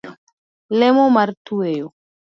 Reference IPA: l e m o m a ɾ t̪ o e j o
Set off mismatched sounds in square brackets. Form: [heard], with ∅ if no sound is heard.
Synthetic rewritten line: l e m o m a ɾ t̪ [u] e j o

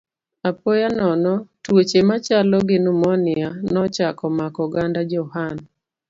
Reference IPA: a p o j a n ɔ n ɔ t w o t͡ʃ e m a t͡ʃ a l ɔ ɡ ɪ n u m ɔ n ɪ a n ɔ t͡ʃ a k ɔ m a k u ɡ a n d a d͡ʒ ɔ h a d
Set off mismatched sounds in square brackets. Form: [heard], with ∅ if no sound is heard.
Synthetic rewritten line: a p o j a n ɔ n ɔ t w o t͡ʃ e m a t͡ʃ a l ɔ ɡ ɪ n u m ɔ n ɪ a n ɔ t͡ʃ a k ɔ m a k [ɔ] ɡ a n d a d͡ʒ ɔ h a [n]

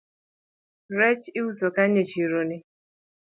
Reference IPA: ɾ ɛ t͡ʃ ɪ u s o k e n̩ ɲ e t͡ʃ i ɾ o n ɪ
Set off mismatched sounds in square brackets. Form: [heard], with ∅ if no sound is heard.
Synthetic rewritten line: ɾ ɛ t͡ʃ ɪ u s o k [a] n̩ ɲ e t͡ʃ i ɾ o n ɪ

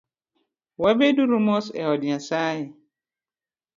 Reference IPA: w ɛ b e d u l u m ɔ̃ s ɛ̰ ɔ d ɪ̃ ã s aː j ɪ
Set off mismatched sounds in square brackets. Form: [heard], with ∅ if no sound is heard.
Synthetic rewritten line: w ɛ b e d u [ɾ] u m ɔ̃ s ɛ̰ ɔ d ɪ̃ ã s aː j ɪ

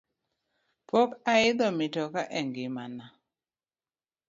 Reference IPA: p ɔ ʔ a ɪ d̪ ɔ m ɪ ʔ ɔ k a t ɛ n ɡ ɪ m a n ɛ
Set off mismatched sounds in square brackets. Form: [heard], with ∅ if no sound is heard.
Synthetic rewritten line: p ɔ [k] a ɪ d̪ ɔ m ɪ [t] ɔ k a [ʔ] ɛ [ŋ] ɡ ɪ m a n [a]

